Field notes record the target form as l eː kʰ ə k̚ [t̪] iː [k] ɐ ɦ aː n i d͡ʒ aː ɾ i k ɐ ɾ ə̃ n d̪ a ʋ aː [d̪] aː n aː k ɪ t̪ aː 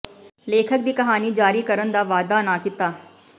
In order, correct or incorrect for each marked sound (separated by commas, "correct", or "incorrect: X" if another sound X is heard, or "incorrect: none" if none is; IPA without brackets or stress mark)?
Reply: incorrect: d̪, correct, correct